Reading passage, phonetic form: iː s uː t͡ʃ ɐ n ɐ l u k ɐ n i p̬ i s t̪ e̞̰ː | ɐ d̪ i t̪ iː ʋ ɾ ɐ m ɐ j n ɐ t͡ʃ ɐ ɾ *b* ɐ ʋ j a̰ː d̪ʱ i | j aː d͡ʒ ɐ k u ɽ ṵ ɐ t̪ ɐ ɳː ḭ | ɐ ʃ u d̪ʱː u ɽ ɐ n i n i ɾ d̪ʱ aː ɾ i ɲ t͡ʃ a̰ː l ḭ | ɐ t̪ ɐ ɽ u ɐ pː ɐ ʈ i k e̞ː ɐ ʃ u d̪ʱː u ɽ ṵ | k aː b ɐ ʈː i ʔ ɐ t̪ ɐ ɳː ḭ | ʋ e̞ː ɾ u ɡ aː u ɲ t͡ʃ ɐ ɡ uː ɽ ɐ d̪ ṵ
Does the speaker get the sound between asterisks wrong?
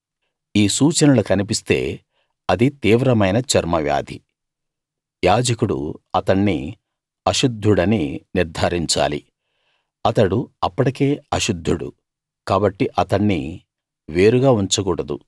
yes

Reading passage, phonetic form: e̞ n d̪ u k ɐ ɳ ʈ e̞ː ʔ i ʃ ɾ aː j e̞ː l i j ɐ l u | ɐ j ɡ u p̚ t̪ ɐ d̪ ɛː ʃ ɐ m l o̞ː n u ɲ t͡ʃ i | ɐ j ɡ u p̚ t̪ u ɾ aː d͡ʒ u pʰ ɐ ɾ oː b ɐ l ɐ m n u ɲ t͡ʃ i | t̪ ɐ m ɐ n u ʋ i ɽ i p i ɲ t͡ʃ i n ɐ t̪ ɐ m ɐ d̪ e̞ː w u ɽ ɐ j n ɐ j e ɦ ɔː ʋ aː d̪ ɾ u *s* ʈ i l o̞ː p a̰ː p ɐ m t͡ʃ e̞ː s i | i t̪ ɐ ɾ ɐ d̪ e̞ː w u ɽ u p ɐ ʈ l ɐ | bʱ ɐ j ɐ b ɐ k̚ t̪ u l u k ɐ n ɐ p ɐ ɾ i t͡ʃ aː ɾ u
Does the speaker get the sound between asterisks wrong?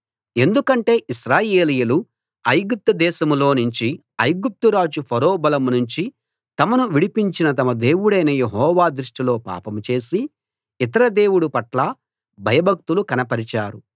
yes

